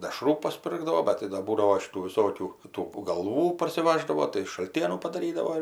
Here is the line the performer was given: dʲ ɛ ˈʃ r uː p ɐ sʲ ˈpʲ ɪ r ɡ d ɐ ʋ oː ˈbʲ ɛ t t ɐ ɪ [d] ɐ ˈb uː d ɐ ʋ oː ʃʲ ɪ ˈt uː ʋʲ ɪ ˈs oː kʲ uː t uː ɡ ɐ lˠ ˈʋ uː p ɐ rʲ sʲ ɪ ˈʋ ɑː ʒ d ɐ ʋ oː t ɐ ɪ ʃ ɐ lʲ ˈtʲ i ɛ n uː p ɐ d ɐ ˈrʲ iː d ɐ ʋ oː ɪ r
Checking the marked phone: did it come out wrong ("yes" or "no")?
no